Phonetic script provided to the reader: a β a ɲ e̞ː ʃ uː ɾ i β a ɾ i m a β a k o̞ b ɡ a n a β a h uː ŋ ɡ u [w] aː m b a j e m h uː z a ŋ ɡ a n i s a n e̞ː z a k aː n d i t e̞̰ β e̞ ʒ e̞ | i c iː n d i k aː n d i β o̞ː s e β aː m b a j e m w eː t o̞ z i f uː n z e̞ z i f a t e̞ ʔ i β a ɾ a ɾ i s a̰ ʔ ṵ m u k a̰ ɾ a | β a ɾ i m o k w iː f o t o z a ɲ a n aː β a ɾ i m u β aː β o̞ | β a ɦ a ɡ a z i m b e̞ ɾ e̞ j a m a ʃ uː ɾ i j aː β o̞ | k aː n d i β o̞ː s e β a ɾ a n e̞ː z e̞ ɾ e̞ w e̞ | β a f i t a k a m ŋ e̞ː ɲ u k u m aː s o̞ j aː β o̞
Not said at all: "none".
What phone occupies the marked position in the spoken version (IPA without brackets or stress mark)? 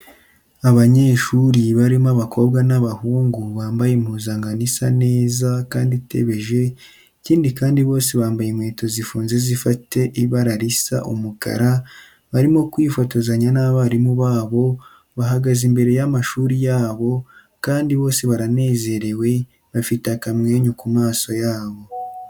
β